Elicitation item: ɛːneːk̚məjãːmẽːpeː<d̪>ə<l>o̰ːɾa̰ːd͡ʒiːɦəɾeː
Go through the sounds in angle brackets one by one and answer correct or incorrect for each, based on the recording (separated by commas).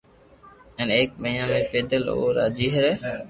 correct, correct